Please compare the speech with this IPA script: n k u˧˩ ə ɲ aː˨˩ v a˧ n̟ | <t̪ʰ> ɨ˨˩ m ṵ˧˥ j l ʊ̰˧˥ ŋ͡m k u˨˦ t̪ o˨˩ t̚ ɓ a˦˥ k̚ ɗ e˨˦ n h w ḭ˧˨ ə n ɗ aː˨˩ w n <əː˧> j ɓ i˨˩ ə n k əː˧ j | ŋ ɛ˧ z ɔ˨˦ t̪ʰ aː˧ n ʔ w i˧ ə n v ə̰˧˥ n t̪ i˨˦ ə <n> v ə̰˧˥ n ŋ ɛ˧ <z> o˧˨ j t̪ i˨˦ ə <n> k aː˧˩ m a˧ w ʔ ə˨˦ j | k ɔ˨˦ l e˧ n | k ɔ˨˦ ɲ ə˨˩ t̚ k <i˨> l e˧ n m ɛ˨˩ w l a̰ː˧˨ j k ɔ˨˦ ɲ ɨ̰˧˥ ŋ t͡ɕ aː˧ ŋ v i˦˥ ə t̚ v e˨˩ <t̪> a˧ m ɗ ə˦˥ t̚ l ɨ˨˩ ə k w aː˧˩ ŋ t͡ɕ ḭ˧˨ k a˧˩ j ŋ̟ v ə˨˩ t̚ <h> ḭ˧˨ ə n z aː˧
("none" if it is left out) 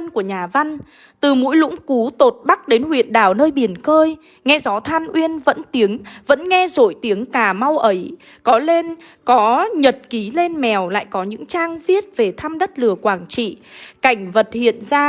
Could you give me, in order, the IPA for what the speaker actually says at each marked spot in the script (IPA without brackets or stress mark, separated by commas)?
t̪, əː˧, ŋ, z, ŋ, i˨˦, t̪ʰ, h